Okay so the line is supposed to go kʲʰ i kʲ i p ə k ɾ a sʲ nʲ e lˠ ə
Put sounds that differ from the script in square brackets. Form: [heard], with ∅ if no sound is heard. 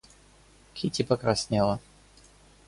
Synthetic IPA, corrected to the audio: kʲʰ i [tʲ] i p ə k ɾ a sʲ nʲ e lˠ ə